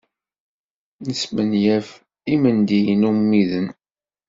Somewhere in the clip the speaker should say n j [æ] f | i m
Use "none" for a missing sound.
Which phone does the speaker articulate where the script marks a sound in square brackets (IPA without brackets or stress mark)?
æ